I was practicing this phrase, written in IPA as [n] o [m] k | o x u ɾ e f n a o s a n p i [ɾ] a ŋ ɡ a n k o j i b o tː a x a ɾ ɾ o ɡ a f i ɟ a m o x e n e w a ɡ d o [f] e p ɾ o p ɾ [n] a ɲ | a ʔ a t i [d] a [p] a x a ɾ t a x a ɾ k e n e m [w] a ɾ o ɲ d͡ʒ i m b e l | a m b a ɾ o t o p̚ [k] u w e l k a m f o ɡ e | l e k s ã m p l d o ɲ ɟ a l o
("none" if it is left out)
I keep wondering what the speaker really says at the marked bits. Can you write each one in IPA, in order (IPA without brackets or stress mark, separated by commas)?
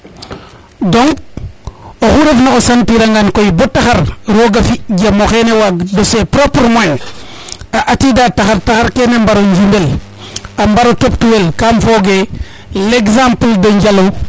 d, ŋ, ɾ, s, m, d, t, b, t